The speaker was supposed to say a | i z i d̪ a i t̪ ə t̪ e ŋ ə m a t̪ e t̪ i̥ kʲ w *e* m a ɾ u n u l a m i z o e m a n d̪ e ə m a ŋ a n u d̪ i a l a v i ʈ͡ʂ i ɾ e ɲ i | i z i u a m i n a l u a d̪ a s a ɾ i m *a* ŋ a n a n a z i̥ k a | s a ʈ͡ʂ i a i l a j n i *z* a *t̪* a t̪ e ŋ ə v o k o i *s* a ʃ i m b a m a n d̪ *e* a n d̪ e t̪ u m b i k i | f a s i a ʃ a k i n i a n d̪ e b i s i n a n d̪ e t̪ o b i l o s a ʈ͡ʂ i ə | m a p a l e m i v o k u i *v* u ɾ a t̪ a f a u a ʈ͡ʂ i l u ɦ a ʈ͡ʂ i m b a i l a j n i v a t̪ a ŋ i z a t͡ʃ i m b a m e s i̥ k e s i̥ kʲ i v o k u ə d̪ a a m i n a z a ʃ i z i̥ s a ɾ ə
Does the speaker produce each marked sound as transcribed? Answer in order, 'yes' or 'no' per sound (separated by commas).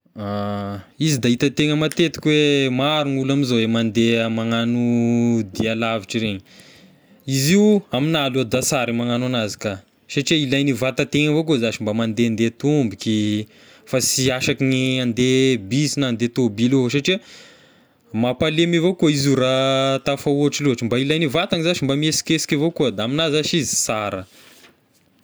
yes, yes, no, yes, no, yes, no